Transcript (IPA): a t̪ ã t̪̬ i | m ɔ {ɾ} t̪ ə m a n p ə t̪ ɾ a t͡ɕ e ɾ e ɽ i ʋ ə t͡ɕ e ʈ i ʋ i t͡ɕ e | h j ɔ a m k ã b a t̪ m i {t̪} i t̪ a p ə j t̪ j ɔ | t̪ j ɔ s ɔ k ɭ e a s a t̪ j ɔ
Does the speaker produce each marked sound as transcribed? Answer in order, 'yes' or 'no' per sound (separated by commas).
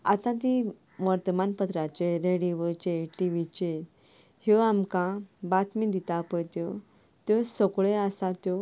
yes, no